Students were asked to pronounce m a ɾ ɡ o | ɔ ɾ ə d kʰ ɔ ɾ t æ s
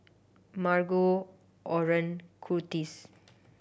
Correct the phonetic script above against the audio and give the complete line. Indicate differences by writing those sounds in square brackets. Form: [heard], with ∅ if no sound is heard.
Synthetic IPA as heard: m a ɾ ɡ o | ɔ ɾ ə [n] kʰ [u] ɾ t [i] s

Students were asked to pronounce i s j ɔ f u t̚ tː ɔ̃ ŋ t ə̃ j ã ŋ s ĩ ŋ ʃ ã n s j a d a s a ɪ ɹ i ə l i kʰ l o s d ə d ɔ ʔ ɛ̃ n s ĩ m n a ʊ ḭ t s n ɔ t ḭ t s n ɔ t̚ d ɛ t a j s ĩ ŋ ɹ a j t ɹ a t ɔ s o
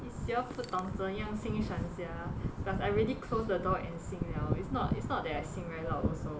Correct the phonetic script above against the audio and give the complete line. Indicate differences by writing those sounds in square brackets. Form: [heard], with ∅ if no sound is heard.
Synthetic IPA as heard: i s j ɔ f u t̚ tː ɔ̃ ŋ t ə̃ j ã ŋ s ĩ ŋ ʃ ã n s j a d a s a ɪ ɹ i ə l i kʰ l o s d ə d ɔ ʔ ɛ̃ n s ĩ [ŋ] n a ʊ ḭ t s n ɔ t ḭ t s n ɔ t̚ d ɛ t a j s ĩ ŋ ɹ a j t [l] a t ɔ s o

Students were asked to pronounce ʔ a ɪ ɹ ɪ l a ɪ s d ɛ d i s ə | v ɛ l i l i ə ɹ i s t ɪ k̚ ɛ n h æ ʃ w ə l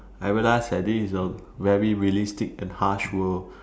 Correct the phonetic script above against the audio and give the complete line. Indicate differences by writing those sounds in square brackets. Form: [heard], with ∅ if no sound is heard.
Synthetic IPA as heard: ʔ a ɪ ɹ [i] l a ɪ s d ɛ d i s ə | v ɛ [ɹ] i [ɹ] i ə [l] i s t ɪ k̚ [ɛ̃] n h [a] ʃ w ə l

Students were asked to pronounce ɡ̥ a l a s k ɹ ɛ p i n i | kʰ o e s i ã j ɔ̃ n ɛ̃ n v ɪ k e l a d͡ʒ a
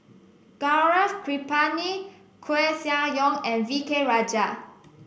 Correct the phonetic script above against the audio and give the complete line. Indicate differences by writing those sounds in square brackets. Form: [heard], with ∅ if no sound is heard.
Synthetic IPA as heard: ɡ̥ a [ɹ] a [f] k ɹ [i] p [a] n i | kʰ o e s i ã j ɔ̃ [ŋ] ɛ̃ n v [i] k e [ɹ] a d͡ʒ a

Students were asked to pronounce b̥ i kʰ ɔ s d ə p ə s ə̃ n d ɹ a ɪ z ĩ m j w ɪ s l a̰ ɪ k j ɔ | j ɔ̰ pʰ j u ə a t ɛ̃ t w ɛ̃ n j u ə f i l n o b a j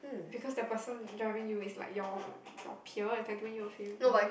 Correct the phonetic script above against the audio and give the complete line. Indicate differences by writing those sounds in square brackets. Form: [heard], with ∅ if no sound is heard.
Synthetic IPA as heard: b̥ i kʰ ɔ s d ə p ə s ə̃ n d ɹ a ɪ [v] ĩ [ŋ] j [u] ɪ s l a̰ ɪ k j ɔ | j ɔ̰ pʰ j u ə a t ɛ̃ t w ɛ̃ n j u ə f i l n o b a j

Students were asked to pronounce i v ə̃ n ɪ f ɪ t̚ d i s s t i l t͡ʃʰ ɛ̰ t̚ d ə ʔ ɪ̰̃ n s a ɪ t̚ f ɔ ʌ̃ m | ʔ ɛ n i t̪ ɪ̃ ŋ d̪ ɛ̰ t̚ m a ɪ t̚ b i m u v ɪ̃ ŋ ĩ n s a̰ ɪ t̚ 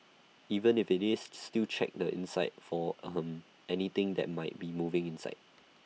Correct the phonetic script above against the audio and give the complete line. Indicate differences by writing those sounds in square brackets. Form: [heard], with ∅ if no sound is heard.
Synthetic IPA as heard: i v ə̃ n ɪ f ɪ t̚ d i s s t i l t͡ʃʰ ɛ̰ [k̚] d ə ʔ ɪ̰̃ n s a ɪ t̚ f ɔ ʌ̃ m | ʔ ɛ n i t̪ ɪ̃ ŋ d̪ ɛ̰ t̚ m a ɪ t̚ b i m u v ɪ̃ ŋ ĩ n s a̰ ɪ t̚

